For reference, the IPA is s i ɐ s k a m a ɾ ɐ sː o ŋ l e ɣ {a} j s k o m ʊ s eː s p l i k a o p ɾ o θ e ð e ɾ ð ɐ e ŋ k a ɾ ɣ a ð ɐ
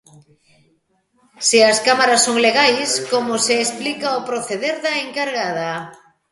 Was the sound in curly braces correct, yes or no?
yes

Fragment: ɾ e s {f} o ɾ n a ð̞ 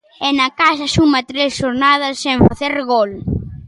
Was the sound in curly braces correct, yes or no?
no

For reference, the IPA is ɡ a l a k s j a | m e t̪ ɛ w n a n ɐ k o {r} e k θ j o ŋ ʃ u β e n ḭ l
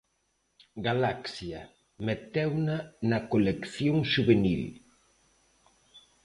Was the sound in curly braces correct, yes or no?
no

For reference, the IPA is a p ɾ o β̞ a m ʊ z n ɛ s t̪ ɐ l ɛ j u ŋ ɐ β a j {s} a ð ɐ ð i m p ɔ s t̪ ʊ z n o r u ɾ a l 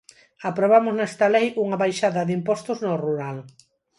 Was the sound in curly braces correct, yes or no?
no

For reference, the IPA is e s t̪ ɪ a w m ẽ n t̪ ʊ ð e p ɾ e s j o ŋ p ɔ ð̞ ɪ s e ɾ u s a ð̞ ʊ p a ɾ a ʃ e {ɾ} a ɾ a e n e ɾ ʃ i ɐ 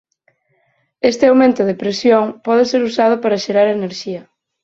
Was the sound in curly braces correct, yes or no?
yes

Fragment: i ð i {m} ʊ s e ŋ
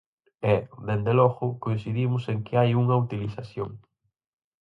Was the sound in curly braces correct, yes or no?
yes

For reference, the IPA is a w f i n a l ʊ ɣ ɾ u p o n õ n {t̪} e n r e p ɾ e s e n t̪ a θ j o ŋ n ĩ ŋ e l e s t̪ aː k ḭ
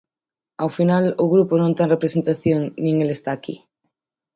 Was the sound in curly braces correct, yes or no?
yes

